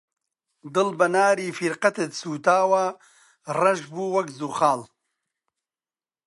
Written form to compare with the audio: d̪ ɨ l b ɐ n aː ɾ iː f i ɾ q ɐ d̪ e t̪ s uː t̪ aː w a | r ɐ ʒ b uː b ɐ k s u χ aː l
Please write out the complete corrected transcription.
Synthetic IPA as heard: d̪ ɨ l b ɐ n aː ɾ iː f i ɾ q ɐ t̪ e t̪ s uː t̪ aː w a | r ɐ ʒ b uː w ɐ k z u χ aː l

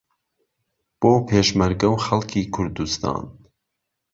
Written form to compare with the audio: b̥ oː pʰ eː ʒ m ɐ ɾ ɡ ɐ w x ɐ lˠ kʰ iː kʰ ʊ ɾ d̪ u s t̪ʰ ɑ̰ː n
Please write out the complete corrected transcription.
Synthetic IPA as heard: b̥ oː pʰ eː ʃ m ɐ ɾ ɡ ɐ w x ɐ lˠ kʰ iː kʰ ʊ ɾ d̪ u s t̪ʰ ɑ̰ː n

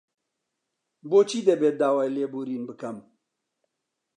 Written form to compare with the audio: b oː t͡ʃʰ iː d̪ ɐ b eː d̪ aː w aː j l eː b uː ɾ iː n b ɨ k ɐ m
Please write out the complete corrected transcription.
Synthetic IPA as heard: b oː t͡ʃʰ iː d̪ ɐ b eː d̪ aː w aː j l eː b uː ɾ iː n b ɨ k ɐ m

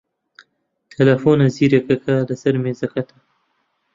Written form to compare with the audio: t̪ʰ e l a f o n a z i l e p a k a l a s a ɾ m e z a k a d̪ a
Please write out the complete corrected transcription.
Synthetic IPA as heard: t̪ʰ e l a f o n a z i ɾ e k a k a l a s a ɾ m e z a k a t̪ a

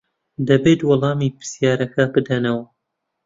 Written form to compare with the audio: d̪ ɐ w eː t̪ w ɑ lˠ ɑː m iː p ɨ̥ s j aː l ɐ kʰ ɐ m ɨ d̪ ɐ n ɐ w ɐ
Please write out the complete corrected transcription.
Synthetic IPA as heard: d̪ ɐ b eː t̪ w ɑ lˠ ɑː m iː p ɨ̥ s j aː ɾ ɐ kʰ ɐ b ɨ d̪ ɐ n ɐ w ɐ

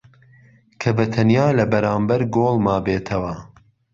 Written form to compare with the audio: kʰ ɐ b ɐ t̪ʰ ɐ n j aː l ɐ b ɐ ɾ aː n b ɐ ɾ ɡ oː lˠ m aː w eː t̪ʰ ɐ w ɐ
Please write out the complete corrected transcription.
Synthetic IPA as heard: kʰ ɐ b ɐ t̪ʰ ɐ n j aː l ɐ b ɐ ɾ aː m b ɐ ɾ ɡ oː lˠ m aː b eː t̪ʰ ɐ w ɐ

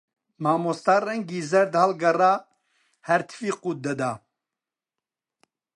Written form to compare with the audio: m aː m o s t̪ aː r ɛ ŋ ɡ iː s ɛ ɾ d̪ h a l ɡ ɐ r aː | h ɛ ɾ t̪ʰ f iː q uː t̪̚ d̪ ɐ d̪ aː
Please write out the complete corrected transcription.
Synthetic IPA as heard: m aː m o s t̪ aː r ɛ ŋ ɡ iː z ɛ ɾ d̪ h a l ɡ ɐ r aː | h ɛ ɾ t̪ʰ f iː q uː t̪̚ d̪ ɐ d̪ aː

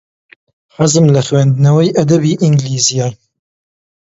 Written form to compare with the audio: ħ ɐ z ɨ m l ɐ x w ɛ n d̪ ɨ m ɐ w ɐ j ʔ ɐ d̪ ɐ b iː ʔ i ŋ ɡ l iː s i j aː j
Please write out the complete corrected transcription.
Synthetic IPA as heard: ħ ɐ z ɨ m l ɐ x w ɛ n d̪ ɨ n ɐ w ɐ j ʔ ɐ d̪ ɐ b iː ʔ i ŋ ɡ l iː z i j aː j

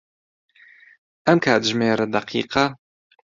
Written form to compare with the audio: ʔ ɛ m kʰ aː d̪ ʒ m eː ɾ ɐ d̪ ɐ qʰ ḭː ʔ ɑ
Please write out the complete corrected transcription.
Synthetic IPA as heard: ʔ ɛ m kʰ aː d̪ ʒ m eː ɾ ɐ d̪ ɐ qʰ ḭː q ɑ

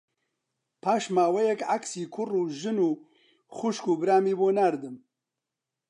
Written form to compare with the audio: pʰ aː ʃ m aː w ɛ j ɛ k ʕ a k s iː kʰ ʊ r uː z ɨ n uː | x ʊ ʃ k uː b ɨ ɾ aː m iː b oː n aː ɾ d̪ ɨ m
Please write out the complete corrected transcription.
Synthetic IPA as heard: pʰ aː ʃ m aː w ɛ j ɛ k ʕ a k s iː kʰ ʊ r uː ʒ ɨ n uː | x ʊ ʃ k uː b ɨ ɾ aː m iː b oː n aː ɾ d̪ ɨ m

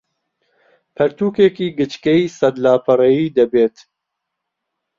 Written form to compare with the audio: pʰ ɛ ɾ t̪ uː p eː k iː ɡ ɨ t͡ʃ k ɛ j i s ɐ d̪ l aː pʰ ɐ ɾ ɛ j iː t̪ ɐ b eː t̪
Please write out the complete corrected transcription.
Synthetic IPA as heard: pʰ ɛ ɾ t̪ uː k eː k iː ɡ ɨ t͡ʃ k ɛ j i s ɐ d̪ l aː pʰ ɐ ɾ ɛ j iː d̪ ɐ b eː t̪

